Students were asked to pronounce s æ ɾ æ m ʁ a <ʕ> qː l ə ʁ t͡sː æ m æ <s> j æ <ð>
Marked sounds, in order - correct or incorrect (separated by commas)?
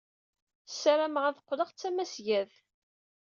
incorrect, correct, correct